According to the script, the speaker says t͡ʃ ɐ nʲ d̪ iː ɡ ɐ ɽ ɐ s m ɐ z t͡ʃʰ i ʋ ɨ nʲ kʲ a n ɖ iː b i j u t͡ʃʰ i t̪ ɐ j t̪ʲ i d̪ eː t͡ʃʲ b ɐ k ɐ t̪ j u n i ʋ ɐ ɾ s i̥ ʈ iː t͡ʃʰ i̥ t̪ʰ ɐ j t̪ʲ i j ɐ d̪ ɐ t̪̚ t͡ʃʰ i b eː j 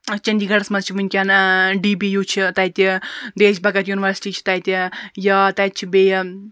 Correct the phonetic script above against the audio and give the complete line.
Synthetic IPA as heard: t͡ʃ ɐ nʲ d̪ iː ɡ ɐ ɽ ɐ s m ɐ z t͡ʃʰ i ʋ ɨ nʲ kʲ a n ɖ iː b i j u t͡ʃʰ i t̪ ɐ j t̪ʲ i d̪ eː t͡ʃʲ b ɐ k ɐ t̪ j u n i ʋ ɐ ɾ s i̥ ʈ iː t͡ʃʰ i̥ t̪ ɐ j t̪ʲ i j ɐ t̪ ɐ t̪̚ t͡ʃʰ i b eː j